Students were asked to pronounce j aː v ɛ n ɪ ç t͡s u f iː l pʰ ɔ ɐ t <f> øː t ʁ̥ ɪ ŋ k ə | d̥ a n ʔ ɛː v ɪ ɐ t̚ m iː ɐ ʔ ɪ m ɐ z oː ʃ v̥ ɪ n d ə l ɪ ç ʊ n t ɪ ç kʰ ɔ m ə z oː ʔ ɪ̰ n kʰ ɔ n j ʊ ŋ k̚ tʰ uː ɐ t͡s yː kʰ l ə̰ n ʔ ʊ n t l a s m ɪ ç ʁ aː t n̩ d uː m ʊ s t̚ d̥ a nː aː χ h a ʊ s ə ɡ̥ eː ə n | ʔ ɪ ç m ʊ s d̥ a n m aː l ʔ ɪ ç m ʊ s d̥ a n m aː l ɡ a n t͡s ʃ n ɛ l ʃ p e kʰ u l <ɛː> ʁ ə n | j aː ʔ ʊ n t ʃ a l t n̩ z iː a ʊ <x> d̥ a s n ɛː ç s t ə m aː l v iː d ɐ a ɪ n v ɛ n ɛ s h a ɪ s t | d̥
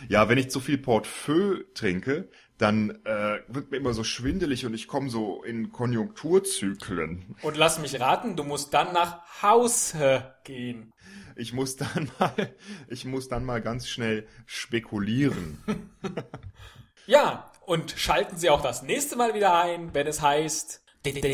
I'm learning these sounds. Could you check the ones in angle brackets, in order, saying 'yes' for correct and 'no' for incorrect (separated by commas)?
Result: yes, no, yes